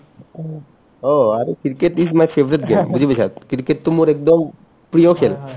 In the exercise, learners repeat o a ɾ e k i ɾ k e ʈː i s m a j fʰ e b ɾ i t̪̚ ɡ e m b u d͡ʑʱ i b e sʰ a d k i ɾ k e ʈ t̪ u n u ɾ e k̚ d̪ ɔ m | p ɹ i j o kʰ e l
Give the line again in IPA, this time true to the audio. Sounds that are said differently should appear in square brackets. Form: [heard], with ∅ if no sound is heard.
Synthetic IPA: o a ɾ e k i ɾ k e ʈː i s m a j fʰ e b ɾ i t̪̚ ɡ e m b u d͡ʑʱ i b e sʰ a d k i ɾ k e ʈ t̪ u [m] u ɾ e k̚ d̪ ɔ m | p [ɾ] i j o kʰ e l